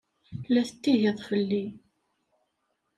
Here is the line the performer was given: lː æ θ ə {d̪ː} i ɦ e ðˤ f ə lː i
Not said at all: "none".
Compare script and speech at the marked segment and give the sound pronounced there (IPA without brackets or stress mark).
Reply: t̪ː